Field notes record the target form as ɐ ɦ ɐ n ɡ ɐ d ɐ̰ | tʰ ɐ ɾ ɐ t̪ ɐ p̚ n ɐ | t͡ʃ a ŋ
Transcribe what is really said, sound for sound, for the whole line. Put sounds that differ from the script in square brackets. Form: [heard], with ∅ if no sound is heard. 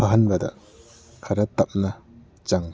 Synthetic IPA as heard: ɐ ɦ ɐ n [b] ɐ d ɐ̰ | [kʰ] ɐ ɾ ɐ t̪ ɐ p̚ n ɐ | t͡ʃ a ŋ